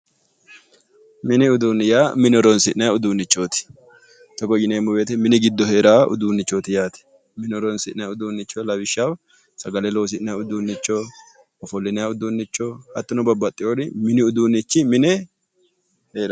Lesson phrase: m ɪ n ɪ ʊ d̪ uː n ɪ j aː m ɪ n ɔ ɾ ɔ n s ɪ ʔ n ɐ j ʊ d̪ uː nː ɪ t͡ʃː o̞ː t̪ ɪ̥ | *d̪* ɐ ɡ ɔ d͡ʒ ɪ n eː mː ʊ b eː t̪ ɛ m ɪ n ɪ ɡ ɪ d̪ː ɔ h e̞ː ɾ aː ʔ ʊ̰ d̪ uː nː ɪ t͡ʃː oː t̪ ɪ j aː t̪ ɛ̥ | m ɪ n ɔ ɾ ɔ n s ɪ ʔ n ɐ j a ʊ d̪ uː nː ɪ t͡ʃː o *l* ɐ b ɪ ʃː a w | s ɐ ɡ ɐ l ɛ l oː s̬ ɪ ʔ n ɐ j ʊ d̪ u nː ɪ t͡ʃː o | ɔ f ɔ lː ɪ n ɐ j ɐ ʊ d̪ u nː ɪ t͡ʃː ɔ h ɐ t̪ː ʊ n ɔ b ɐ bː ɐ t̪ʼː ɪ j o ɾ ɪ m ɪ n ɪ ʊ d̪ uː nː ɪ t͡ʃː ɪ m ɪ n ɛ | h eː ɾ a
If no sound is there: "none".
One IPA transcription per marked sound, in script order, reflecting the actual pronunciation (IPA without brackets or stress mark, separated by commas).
t̪, l